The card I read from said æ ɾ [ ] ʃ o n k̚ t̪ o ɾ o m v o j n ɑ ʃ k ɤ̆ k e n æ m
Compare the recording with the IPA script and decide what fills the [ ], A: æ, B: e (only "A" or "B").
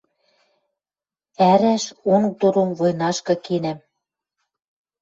A